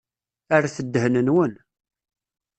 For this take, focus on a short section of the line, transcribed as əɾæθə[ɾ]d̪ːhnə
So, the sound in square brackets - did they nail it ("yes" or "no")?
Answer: no